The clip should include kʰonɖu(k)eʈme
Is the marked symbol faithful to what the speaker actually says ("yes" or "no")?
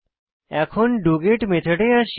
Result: no